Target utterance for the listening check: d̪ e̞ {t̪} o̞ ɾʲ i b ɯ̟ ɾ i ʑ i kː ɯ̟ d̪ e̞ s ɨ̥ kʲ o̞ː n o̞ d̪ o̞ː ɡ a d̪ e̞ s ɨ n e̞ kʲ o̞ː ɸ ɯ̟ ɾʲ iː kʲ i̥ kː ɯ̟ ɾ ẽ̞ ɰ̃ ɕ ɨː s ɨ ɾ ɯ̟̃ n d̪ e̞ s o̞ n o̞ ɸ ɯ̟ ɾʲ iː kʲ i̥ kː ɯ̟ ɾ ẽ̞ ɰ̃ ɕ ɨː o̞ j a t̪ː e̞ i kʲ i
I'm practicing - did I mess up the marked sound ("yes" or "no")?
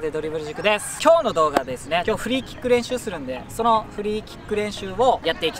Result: yes